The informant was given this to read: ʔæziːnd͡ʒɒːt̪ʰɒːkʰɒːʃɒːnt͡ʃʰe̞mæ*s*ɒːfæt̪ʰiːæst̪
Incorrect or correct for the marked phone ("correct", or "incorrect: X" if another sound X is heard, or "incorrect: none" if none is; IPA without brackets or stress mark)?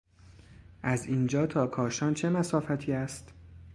correct